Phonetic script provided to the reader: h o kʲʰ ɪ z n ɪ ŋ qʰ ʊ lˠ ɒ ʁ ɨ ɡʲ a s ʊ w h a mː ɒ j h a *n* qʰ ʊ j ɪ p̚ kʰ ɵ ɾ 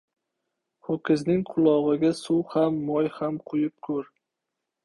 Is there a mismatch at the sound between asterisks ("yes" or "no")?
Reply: yes